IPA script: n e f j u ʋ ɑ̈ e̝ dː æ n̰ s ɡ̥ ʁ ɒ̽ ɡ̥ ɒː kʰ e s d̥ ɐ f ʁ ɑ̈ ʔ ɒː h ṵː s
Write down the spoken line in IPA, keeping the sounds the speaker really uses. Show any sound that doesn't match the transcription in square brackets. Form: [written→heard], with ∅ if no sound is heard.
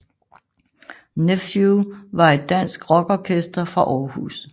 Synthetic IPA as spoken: n e f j u ʋ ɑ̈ e̝ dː æ n̰ s ɡ̥ ʁ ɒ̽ ɡ̥ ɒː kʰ e s d̥ ɐ f ʁ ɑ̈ ʔ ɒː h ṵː s